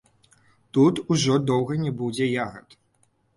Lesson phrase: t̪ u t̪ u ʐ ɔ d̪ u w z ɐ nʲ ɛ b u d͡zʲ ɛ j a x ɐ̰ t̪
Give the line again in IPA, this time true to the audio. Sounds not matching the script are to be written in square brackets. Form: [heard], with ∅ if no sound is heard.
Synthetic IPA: t̪ u t̪ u ʐ ɔ d̪ [ɔ] w [ɣ] ɐ nʲ ɛ b u d͡zʲ ɛ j a [ɣ] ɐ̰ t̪